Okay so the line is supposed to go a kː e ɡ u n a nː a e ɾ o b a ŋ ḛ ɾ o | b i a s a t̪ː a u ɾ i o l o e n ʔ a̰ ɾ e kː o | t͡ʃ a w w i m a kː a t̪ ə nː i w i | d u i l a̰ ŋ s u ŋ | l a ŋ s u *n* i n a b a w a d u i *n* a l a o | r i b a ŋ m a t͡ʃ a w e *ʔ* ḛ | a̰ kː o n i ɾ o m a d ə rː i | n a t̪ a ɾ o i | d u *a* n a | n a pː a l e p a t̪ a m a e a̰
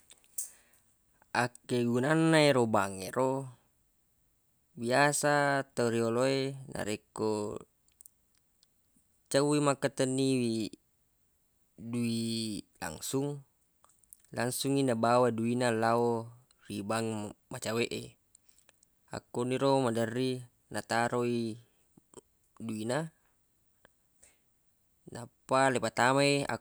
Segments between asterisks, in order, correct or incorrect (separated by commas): incorrect, correct, correct, incorrect